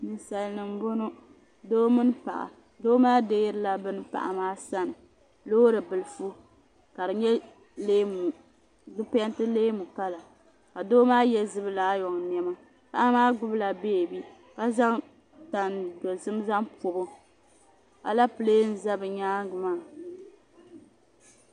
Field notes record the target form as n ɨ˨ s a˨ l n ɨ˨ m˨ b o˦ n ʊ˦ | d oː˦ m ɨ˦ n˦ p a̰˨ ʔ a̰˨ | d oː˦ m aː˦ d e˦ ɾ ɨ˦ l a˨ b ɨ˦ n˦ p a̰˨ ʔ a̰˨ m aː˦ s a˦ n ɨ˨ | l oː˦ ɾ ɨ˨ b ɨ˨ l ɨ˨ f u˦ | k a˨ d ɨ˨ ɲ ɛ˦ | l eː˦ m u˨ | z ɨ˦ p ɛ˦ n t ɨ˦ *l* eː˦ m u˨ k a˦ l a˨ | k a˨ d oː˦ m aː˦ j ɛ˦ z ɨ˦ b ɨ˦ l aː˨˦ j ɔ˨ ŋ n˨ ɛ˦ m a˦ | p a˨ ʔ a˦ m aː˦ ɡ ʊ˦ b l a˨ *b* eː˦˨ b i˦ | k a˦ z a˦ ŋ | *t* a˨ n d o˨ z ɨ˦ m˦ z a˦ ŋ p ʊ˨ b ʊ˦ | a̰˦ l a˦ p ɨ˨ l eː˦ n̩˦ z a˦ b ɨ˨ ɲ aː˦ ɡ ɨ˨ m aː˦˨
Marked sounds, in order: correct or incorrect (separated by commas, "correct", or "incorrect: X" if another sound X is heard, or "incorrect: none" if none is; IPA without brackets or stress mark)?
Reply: correct, correct, correct